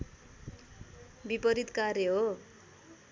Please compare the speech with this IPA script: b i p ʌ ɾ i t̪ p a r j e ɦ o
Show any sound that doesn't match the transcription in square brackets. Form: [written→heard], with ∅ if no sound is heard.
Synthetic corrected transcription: b i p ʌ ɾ i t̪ [p→k] a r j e ɦ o